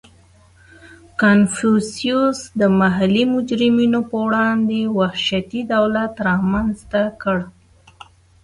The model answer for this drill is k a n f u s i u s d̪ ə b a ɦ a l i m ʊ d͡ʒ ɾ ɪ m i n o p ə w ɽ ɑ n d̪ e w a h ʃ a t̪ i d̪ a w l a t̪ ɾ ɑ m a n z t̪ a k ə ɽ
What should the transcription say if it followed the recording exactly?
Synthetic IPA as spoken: k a n f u s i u s d̪ ə m a ɦ a l i m ʊ d͡ʒ ɾ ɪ m i n o p ə w ɽ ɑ n d̪ e w a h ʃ a t̪ i d̪ a w l a t̪ ɾ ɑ m a n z t̪ a k ə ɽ